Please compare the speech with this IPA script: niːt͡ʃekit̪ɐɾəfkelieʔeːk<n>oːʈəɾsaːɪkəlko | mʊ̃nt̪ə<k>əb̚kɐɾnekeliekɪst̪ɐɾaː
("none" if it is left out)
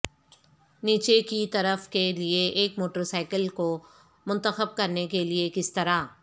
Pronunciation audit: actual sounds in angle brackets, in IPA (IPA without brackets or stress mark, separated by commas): m, x